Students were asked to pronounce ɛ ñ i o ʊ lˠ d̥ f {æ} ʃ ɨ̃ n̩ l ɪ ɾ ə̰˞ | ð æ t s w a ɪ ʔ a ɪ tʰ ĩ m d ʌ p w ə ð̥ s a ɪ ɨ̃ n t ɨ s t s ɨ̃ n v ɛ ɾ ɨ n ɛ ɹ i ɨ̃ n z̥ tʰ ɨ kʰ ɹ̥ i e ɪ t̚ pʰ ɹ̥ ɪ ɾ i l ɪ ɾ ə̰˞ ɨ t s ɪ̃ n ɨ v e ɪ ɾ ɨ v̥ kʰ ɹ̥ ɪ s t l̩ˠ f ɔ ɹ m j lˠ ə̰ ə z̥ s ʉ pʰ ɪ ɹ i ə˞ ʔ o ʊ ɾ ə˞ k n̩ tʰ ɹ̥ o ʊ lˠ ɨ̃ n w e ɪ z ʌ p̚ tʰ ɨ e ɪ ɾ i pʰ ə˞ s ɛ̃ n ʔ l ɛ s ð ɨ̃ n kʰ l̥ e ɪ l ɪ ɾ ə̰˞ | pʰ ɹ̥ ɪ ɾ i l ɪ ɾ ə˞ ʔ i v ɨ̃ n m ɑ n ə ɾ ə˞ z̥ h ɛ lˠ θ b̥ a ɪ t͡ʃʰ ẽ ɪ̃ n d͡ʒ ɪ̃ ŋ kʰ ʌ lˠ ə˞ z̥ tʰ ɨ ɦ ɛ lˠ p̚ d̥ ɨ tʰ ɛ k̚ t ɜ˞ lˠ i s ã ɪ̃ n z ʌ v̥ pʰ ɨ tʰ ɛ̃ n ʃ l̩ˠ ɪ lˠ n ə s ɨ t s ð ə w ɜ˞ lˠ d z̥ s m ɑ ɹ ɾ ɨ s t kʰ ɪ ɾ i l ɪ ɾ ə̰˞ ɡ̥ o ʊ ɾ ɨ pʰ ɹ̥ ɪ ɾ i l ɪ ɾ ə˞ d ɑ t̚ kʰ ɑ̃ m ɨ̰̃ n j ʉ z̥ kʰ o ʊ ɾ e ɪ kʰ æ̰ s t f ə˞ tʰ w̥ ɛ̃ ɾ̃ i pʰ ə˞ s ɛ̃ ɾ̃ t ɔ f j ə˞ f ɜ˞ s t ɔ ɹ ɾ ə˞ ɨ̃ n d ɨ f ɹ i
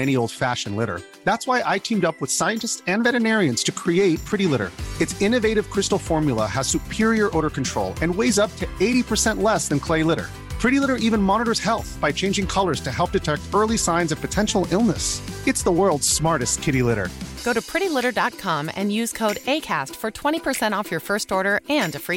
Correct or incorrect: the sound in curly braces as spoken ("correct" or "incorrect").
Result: correct